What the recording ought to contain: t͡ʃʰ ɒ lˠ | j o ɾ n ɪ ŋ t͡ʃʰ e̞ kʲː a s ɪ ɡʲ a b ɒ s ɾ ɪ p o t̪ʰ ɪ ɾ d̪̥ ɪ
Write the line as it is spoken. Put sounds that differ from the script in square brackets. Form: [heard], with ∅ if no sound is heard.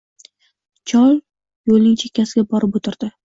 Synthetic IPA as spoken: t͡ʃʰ ɒ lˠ | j o [l] n ɪ ŋ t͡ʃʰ e̞ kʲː a s ɪ ɡʲ a b ɒ [∅] ɾ ɪ p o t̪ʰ ɪ ɾ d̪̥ ɪ